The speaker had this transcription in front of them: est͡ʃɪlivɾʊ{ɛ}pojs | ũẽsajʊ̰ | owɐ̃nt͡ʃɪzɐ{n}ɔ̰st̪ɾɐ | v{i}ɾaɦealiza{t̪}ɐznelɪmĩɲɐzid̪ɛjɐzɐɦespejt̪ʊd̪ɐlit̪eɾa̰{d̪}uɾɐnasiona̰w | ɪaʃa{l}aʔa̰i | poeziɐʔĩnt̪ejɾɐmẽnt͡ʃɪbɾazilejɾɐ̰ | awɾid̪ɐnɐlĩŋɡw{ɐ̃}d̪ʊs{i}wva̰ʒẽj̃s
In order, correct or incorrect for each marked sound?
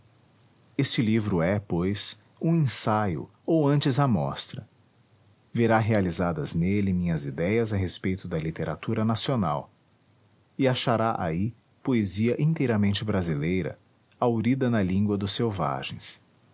correct, incorrect: m, incorrect: e, incorrect: d̪, incorrect: t̪, incorrect: ɾ, incorrect: ɐ, incorrect: e

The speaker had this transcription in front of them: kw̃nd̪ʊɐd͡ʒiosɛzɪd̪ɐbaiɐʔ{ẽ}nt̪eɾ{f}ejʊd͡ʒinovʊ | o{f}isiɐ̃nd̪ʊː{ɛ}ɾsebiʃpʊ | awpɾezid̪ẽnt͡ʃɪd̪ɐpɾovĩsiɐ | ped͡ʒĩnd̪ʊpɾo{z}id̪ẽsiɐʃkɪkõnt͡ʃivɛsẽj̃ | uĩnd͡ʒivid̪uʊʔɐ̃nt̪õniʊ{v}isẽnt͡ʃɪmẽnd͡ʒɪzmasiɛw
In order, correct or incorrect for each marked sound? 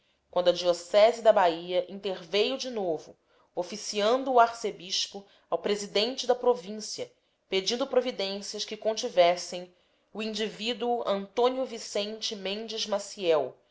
incorrect: ĩ, incorrect: v, correct, incorrect: a, incorrect: v, correct

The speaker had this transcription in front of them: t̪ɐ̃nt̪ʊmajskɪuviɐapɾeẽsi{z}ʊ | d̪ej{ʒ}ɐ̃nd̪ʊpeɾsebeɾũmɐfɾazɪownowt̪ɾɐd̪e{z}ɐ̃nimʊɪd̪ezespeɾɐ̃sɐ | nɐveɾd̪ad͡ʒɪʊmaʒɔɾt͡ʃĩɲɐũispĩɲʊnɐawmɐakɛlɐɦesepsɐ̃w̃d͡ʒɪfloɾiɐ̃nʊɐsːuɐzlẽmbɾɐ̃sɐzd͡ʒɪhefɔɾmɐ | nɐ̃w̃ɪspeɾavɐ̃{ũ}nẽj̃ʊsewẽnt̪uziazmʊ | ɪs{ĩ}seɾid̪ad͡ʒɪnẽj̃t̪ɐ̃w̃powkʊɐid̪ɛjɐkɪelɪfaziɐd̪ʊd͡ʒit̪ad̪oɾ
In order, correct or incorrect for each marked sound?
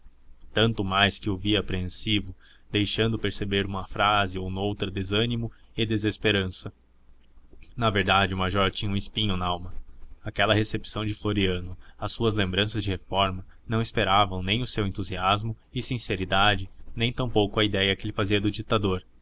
incorrect: v, incorrect: ʃ, correct, incorrect: w̃, correct

